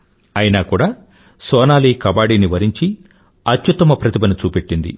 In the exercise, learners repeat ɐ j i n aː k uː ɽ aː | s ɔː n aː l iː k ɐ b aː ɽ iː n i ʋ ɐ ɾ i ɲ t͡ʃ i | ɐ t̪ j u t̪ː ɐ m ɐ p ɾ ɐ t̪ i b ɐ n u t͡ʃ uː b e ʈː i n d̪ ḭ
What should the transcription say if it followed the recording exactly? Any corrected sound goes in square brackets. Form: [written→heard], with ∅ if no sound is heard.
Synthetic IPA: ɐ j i n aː k uː ɽ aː | s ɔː n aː l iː k ɐ b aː ɽ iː n i ʋ ɐ ɾ i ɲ t͡ʃ i | ɐ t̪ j u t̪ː ɐ m ɐ p ɾ ɐ t̪ i b ɐ n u t͡ʃ uː [b→p] e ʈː i n d̪ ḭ